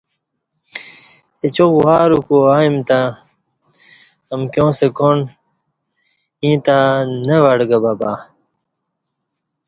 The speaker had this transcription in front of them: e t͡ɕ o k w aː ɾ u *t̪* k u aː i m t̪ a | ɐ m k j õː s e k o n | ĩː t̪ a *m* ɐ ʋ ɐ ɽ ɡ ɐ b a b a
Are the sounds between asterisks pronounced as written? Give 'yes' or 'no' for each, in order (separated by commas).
no, no